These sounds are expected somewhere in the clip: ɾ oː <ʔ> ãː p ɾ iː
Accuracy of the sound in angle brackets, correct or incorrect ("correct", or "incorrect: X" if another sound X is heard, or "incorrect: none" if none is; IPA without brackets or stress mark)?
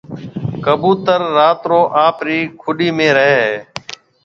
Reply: correct